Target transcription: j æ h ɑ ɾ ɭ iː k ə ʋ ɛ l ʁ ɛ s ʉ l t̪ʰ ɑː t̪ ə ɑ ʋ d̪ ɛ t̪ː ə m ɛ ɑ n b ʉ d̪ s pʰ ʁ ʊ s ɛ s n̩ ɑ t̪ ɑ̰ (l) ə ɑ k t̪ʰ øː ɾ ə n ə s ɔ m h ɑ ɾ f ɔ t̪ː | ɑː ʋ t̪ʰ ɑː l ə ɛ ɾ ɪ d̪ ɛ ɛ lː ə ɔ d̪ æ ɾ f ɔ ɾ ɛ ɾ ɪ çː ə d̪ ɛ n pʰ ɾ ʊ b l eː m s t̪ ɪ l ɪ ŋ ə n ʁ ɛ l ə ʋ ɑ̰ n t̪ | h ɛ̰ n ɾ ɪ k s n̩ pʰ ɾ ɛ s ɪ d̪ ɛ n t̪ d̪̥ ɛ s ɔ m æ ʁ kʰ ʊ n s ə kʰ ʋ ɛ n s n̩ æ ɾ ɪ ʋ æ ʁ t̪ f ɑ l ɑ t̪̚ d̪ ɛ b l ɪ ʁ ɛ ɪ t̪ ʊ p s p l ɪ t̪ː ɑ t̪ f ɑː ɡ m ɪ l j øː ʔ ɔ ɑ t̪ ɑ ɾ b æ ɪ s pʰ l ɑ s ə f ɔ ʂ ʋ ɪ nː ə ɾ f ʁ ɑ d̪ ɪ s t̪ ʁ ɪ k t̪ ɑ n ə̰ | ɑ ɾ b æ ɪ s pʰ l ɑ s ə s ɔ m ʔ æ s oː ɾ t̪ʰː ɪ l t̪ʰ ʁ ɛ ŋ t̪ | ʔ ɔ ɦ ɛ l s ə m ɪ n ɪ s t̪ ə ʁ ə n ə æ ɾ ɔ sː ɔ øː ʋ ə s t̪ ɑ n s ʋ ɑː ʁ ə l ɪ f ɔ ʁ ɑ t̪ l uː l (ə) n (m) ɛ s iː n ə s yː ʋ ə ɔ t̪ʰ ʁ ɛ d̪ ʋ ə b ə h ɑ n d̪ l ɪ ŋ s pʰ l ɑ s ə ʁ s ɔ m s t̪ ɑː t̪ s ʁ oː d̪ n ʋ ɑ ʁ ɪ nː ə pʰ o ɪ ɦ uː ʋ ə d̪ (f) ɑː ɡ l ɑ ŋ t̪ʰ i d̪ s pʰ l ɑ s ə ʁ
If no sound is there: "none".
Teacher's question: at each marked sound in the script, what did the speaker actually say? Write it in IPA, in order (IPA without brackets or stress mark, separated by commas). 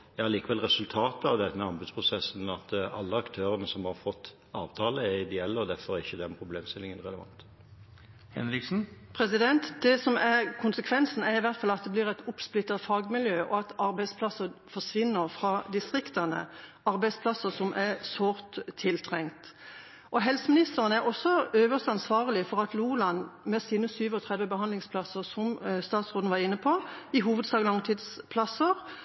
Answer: lː, ɑ, m, s